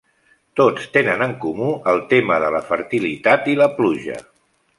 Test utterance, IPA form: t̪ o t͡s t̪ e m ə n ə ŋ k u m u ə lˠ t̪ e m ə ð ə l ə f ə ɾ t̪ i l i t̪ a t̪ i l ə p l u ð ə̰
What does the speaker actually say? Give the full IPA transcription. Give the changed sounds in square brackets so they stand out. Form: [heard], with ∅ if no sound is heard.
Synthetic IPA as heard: t̪ o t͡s t̪ e [n] ə n ə ŋ k u m u ə lˠ t̪ e m ə ð ə l ə f ə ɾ t̪ i l i t̪ a t̪ i l ə p l u [ʒ] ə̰